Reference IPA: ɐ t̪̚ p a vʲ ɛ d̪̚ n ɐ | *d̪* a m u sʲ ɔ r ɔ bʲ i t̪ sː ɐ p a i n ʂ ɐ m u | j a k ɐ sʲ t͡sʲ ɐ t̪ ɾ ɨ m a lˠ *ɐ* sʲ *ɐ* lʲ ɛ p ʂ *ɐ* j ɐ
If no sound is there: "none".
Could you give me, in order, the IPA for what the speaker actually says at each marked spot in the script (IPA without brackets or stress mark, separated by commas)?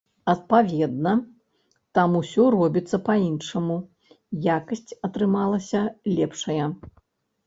t̪, ɐ, ɐ, ɐ